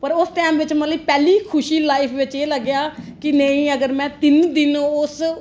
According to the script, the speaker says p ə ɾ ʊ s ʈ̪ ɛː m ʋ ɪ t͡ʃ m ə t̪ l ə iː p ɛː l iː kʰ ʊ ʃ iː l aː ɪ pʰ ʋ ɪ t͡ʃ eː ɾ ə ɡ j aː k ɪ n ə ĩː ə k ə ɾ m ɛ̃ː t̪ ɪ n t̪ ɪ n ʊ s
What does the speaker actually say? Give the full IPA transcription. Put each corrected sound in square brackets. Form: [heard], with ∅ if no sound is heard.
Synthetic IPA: p ə ɾ ʊ s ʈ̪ ɛː m ʋ ɪ t͡ʃ m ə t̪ l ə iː p ɛː l iː kʰ ʊ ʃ iː l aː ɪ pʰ ʋ ɪ t͡ʃ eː [l] ə ɡ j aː k ɪ n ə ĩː ə [ɡ] ə ɾ m ɛ̃ː t̪ ɪ n [d̪] ɪ n ʊ s